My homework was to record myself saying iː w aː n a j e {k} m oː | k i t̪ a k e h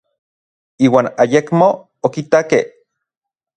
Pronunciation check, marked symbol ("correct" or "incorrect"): correct